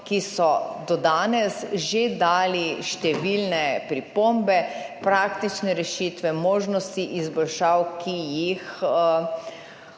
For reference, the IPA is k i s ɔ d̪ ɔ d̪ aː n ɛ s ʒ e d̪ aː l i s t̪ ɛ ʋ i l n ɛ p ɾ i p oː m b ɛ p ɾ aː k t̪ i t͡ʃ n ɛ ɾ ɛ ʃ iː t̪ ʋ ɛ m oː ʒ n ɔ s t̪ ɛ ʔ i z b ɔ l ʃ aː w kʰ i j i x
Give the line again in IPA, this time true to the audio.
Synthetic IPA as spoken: k i s ɔ d̪ ɔ d̪ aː n ɛ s ʒ e d̪ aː l i ʃ t̪ ɛ ʋ i l n ɛ p ɾ i p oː m b ɛ p ɾ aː k t̪ i t͡ʃ n ɛ ɾ ɛ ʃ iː t̪ ʋ ɛ m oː ʒ n ɔ s t̪ i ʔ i z b ɔ l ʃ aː w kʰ i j i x